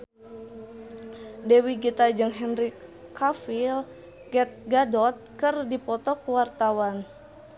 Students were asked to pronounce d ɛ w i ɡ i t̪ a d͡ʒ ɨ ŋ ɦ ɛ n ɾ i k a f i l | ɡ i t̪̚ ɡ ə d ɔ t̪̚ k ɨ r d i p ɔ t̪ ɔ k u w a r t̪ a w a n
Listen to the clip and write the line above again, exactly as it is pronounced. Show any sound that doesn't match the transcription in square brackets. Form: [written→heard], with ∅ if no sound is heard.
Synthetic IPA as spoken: d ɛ w i ɡ i t̪ a d͡ʒ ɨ ŋ ɦ ɛ n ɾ i k a f i l | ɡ [i→ɛ] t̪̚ ɡ [ə→a] d ɔ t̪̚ k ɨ r d i p ɔ t̪ ɔ k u w a r t̪ a w a n